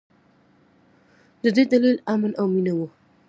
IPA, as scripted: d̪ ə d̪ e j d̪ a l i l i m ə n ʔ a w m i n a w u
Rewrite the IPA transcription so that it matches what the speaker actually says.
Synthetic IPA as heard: d̪ ə d̪ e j d̪ a l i l a m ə n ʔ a w m i n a w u